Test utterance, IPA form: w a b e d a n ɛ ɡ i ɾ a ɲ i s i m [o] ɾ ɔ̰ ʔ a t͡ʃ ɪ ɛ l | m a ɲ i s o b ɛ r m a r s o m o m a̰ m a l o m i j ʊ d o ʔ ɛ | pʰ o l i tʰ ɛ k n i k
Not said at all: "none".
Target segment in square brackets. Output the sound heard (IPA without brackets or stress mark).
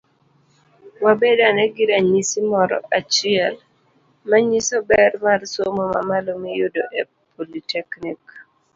ɔ